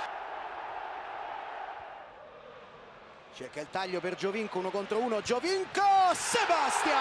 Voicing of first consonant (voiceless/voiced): voiceless